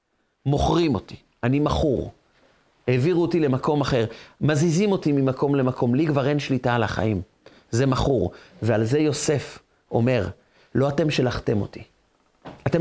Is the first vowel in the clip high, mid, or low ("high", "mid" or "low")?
mid